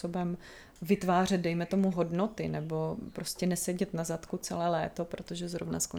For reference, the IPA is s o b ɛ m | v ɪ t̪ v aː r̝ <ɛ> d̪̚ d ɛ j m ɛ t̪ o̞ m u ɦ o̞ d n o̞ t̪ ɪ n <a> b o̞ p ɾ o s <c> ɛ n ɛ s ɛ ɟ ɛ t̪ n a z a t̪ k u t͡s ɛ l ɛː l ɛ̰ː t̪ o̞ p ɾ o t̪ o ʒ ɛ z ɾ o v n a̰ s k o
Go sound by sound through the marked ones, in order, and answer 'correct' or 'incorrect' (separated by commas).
correct, incorrect, correct